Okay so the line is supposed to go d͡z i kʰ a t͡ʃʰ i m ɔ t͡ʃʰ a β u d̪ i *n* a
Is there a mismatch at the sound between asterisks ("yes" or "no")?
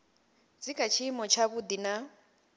no